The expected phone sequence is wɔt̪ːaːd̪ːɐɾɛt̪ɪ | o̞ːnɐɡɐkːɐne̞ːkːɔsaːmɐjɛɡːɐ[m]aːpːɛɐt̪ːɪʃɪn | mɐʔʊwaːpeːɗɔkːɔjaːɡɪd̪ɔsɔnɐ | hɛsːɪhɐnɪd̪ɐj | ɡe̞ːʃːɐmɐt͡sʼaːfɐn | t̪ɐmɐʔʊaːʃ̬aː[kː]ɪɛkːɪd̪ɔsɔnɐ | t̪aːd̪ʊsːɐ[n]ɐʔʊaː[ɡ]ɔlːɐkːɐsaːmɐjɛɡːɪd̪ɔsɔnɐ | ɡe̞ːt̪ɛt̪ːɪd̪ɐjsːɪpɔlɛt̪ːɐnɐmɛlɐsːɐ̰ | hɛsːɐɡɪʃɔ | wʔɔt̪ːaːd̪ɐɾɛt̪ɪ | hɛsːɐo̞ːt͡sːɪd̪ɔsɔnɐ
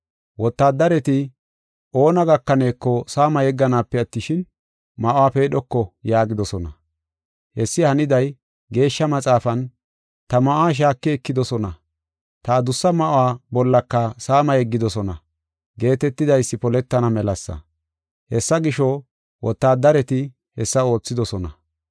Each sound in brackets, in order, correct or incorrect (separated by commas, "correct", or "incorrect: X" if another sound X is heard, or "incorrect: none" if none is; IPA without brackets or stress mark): incorrect: n, correct, incorrect: m, incorrect: b